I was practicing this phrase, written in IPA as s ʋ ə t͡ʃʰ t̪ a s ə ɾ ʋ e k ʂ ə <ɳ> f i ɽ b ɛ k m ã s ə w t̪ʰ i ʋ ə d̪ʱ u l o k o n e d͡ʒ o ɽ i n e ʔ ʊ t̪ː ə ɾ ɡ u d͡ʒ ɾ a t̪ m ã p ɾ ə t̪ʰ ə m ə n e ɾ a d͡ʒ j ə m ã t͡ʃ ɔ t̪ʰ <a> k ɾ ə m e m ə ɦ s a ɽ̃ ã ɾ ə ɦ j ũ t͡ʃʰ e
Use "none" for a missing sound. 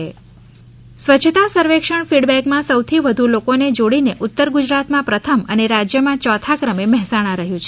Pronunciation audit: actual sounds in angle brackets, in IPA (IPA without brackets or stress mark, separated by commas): ɳ, a